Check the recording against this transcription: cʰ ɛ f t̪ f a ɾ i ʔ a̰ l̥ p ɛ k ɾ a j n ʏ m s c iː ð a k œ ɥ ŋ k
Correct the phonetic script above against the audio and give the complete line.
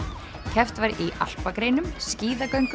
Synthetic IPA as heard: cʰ ɛ f t̪ v a ɾ i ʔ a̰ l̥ p a k ɾ e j n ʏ m s c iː ð a k œ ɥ ŋ k